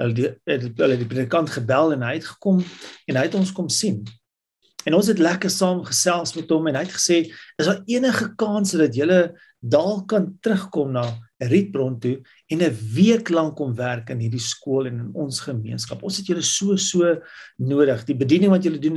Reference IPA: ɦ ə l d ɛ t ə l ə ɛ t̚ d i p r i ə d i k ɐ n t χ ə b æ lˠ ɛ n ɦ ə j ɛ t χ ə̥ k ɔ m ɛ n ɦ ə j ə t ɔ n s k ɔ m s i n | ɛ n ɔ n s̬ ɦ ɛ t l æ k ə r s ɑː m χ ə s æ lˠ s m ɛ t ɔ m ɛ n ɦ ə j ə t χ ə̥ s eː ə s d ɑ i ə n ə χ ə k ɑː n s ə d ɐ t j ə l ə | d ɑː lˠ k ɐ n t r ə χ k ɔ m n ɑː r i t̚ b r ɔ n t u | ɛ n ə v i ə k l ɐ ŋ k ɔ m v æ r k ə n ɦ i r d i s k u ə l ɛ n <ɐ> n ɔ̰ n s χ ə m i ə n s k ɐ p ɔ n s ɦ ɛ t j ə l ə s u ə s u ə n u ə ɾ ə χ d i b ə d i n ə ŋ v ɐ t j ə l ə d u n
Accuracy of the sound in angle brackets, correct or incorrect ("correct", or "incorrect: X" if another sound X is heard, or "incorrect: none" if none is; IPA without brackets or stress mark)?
incorrect: ə